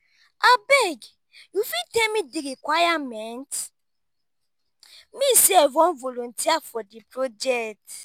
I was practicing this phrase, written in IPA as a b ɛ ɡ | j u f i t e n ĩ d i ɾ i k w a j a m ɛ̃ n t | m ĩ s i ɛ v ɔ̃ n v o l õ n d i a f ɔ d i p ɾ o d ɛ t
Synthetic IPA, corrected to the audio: a b ɛ ɡ | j u f i t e m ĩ d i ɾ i k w a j a m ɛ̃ n t | m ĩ s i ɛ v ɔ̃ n v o l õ n t i a f ɔ d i p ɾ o d͡ʒ ɛ t